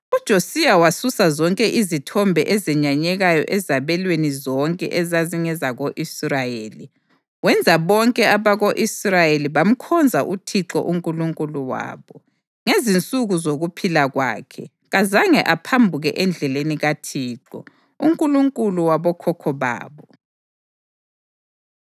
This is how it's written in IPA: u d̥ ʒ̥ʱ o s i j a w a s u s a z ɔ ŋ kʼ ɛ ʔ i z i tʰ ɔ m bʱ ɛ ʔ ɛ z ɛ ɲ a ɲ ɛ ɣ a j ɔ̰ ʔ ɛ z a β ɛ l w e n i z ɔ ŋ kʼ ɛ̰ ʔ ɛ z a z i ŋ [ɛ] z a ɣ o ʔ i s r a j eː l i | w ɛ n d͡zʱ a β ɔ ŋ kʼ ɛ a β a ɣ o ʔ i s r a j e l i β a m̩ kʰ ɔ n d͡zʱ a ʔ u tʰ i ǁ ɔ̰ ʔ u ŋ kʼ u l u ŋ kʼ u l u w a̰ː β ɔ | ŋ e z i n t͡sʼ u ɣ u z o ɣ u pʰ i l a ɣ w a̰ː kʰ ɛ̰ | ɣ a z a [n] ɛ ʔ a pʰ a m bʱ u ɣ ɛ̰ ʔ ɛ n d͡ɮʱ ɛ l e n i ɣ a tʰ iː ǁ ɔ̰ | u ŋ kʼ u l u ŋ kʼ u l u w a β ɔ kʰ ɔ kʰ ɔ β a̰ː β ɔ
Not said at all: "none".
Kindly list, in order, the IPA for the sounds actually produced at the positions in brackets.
ɛ, ŋ

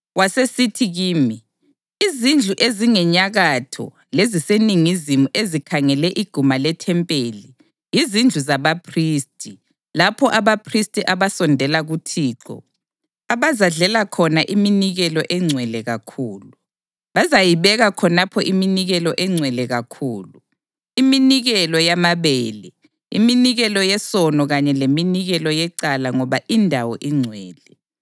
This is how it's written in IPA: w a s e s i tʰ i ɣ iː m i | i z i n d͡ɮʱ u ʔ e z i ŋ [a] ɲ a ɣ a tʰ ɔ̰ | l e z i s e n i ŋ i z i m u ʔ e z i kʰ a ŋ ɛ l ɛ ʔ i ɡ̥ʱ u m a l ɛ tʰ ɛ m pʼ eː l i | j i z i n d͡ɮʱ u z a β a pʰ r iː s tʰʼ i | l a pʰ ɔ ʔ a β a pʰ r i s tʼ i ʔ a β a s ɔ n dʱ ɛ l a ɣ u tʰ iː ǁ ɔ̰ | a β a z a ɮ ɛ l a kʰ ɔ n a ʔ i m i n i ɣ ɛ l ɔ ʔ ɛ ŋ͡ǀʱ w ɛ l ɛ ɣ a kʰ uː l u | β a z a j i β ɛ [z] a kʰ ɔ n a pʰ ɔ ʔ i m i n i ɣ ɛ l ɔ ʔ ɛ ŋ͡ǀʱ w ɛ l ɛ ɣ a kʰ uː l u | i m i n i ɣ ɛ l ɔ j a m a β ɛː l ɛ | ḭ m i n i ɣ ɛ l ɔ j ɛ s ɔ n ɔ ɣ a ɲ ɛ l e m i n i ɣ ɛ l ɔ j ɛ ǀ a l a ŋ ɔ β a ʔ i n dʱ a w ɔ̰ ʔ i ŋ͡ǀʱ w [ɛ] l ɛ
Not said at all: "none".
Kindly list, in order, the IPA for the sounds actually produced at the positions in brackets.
ɛ, ɣ, ɛː

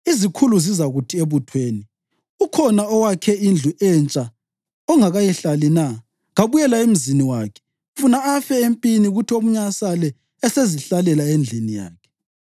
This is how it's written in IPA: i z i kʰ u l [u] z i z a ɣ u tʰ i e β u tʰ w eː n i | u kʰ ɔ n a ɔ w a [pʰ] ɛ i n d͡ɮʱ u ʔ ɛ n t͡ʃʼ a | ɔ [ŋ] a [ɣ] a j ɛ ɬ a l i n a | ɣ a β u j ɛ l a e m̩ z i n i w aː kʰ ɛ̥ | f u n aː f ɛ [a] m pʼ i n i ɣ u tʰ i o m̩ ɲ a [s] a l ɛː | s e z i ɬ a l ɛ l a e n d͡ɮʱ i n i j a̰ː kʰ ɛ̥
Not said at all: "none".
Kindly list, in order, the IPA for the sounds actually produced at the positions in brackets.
u, kʰ, ŋ, ɣ, e, s

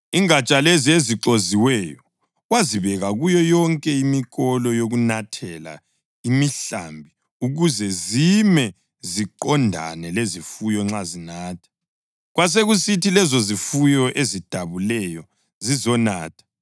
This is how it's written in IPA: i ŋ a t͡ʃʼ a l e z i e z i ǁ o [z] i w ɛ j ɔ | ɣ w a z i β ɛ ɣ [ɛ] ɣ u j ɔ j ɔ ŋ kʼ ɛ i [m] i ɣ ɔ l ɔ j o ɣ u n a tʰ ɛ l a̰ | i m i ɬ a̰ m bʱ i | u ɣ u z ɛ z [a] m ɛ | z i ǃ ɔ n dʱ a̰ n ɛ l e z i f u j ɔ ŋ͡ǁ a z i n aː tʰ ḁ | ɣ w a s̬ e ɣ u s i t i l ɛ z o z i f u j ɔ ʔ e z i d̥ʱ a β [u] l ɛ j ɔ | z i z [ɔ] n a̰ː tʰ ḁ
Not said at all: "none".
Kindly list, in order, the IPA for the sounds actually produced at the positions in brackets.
z, a, m, i, u, ɔ

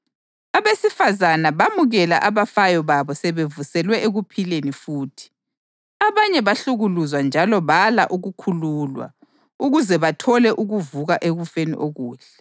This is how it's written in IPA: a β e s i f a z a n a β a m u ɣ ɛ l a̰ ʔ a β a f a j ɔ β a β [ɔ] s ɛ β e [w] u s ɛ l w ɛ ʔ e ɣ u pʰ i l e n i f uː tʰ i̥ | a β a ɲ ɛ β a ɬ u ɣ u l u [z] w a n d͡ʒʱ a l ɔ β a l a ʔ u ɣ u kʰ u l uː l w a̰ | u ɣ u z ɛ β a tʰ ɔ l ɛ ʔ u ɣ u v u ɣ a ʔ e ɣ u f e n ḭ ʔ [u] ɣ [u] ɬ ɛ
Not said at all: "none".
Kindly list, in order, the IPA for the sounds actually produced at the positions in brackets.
ɔ, v, z, o, uː

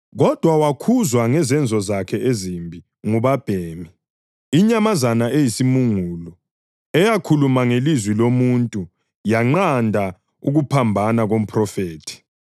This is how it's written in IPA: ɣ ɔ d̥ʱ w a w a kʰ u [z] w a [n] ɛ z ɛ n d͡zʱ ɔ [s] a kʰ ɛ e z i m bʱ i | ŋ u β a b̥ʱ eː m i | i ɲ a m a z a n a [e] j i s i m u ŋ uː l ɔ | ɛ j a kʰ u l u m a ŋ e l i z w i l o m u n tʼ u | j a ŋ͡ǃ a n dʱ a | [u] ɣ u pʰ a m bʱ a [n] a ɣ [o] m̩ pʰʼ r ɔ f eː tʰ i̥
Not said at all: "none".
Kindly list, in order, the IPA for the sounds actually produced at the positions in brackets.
z, ŋ, z, e, u, n, o

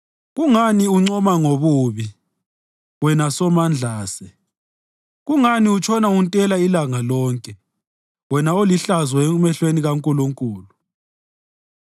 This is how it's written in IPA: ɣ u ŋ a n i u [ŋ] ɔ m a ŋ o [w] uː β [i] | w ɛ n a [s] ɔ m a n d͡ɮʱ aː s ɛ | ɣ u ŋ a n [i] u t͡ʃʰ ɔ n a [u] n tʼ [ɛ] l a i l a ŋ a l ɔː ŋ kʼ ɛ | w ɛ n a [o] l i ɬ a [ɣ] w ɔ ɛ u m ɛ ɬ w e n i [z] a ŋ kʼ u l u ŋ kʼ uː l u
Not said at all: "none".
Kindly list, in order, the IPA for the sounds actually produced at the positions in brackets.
ŋ͡ǀ, β, i, s, i, u, ɛ, o, z, ɣ

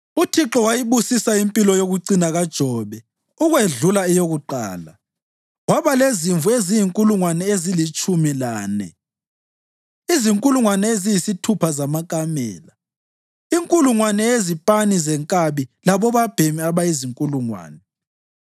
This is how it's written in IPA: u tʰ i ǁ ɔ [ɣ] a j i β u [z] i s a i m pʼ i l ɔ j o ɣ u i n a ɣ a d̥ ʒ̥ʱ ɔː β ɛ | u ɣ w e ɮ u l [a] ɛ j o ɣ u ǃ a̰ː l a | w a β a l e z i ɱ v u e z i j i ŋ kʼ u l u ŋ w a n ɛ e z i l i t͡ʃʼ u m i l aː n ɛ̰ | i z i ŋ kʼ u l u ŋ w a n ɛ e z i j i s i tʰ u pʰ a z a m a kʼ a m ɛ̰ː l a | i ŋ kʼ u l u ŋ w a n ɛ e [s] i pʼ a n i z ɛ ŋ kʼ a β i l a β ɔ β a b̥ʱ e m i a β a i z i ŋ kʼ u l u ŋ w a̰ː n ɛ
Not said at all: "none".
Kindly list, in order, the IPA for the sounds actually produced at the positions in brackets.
w, s, a, z

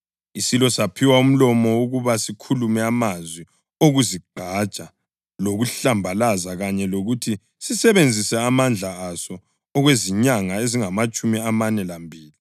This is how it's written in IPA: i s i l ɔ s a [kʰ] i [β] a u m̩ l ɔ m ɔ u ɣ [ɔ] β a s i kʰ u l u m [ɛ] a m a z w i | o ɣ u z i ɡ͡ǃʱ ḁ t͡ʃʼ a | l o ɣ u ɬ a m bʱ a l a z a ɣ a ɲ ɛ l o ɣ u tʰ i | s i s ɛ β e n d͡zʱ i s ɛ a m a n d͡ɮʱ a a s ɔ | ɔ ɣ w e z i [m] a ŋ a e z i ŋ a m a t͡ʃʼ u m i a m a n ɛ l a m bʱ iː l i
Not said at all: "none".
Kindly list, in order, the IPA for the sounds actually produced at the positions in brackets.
pʰ, w, u, ɛ, ɲ

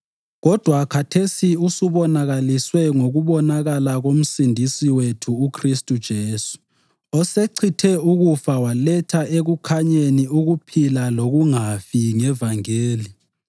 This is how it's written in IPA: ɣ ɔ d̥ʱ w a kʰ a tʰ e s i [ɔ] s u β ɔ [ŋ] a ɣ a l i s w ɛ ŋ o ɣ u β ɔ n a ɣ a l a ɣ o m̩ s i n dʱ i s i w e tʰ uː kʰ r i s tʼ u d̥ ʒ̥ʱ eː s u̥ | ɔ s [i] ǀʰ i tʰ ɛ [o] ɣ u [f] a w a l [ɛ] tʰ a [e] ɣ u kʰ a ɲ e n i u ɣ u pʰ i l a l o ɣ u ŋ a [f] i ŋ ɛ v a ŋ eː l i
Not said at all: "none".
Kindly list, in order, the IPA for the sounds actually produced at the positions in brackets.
u, n, e, u, f, ɛ, e, f

